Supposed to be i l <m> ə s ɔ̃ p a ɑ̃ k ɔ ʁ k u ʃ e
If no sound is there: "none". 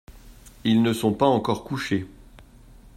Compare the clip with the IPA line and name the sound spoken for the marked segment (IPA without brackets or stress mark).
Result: n